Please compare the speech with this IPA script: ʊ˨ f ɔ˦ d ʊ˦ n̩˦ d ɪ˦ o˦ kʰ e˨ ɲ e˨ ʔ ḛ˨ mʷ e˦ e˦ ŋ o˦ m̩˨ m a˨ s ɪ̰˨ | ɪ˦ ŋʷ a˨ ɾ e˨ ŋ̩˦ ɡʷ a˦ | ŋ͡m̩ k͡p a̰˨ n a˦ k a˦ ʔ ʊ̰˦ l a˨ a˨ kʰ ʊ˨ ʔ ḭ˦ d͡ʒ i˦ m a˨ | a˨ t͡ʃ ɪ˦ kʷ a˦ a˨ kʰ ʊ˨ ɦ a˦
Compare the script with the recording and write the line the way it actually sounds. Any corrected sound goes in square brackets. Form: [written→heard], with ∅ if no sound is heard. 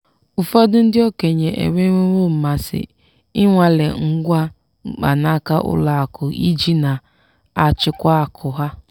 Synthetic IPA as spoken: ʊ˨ f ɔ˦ d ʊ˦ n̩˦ d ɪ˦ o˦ [kʰ→k] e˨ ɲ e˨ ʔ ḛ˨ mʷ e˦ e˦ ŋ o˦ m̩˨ m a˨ s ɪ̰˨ | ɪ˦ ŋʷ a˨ [ɾ→l] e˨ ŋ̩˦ ɡʷ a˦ | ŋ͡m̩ k͡p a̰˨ n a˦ k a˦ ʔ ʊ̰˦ l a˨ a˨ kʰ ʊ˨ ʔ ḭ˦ d͡ʒ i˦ [m→n] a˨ | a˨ t͡ʃ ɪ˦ kʷ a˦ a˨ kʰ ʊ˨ ɦ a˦